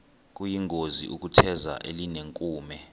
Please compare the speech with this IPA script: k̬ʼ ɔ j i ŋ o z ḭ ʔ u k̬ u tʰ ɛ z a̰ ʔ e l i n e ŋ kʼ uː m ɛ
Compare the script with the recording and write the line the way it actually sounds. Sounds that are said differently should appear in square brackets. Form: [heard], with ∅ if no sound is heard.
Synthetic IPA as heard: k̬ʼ [u] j i ŋ o z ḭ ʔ u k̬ u tʰ ɛ z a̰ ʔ e l i n e ŋ kʼ uː m ɛ